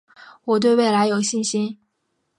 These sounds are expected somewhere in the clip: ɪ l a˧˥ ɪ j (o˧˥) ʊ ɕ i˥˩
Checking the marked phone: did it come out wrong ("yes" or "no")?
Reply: yes